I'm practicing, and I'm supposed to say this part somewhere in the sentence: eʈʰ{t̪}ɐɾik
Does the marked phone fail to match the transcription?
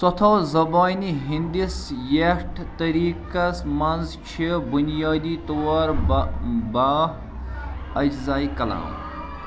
no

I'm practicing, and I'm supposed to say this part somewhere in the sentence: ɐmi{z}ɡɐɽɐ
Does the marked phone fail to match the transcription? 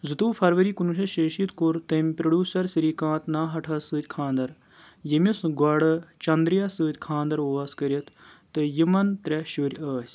yes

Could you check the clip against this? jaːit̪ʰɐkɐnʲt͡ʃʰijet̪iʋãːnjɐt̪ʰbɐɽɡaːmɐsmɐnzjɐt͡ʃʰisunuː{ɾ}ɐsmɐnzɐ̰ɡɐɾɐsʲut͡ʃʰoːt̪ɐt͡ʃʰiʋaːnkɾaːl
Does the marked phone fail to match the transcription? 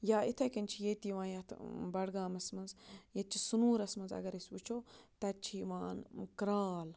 no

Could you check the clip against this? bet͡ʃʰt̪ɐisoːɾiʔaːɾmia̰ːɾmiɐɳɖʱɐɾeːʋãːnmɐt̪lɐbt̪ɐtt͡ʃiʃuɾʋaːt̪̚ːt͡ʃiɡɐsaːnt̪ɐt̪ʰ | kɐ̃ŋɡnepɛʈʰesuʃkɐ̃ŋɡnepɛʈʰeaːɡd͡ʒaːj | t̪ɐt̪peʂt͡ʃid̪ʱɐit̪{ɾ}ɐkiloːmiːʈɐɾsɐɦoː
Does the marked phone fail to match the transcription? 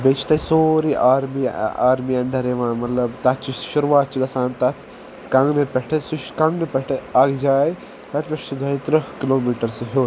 no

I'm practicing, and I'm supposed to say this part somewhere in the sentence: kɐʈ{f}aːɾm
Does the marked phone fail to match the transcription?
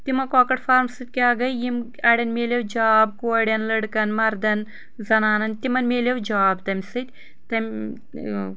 no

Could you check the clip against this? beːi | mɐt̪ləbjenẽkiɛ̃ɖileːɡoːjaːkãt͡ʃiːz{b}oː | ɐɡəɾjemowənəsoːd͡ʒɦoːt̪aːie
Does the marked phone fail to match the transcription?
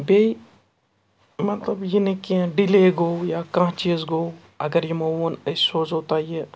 yes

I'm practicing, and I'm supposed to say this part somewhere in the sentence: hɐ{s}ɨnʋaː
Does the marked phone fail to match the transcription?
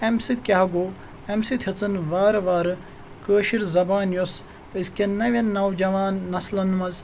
yes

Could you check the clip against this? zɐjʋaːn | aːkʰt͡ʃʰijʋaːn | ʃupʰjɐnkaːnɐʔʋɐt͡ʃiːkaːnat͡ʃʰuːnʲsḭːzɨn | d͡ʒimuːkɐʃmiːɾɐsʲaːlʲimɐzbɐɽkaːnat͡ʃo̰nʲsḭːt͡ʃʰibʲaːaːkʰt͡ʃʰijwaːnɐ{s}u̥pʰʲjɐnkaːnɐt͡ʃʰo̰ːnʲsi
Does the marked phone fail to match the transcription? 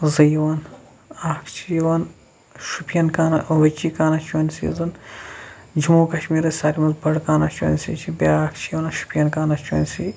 yes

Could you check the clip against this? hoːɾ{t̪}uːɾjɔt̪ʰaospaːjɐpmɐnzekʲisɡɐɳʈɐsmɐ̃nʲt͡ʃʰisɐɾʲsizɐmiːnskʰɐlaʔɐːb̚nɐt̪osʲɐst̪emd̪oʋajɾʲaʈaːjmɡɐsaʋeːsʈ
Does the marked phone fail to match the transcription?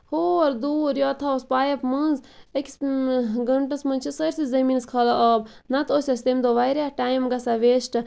yes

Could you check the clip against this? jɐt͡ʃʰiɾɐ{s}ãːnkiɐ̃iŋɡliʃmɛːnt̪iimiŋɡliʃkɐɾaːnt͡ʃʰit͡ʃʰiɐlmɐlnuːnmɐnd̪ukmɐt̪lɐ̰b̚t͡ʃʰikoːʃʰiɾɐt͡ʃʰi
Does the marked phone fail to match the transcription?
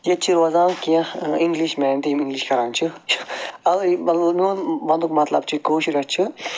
yes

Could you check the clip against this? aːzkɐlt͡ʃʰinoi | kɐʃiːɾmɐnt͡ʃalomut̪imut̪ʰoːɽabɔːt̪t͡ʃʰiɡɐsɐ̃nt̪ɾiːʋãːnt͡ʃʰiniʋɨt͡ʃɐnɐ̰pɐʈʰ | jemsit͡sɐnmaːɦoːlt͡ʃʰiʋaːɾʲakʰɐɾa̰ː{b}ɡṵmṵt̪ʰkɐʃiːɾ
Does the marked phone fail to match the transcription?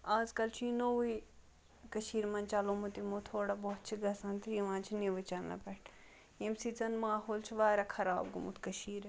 no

